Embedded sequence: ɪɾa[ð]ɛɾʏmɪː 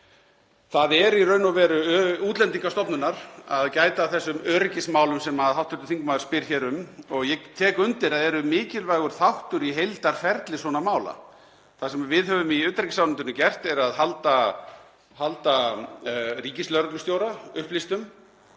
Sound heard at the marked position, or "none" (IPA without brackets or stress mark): ð